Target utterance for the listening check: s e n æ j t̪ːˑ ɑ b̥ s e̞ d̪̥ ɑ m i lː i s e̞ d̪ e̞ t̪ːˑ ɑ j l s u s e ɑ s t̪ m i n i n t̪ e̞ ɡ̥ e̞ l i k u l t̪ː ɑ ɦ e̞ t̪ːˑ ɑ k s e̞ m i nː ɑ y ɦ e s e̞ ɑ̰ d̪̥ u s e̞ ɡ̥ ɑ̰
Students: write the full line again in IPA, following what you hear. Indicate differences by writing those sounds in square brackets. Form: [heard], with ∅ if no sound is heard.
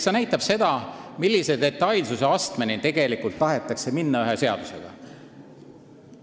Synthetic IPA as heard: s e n æ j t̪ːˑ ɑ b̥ s e̞ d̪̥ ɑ m i lː i s e̞ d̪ e̞ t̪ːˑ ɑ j l s u s e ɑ s t̪ m [e] n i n t̪ e̞ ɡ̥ e̞ l i k u l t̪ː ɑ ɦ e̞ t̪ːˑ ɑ k s e̞ m i nː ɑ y ɦ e s e̞ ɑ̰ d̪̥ u s e̞ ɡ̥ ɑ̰